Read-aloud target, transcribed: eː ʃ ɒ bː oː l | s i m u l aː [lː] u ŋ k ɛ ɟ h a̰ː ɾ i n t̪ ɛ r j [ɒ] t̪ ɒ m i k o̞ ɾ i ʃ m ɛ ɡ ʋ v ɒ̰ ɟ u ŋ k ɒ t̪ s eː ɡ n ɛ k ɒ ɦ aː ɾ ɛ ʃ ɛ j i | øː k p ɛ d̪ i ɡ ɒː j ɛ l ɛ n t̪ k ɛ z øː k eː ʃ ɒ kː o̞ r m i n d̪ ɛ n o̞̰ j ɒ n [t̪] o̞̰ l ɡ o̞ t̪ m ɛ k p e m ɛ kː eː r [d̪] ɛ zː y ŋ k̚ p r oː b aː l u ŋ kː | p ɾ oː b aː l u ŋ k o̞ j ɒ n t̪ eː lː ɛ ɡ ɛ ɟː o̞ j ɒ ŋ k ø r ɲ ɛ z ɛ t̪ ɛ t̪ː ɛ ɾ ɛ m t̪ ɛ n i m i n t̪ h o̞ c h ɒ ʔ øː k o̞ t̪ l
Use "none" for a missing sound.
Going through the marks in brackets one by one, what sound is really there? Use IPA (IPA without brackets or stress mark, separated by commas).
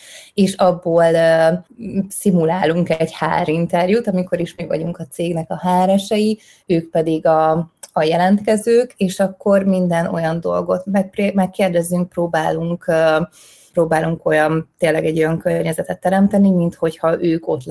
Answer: l, u, d̪, d̪